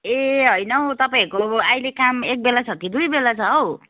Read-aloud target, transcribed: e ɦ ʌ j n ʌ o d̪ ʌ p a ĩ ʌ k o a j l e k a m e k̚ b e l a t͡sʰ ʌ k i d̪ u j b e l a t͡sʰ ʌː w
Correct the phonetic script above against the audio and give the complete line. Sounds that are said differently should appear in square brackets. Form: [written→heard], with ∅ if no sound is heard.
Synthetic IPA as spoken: e ɦ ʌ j n ʌ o [d̪→t̪] ʌ p a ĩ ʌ k o a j l e k a m e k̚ b e l a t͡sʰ ʌ k i d̪ u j b e l a t͡sʰ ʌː w